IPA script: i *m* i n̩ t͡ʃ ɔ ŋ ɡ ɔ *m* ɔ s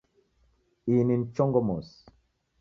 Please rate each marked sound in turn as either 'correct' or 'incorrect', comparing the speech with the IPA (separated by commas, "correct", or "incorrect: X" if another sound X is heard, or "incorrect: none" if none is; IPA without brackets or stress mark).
incorrect: n, correct